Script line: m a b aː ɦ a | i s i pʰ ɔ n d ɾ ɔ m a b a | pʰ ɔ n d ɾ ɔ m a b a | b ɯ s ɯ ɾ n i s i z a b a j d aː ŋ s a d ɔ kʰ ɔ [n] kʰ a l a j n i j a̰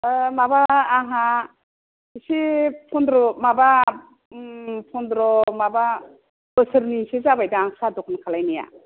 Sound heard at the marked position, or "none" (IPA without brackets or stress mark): n